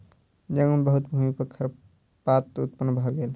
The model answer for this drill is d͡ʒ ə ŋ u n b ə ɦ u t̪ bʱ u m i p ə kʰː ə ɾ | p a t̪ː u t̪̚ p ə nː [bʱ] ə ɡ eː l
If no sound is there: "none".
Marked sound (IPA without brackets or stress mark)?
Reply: bʱ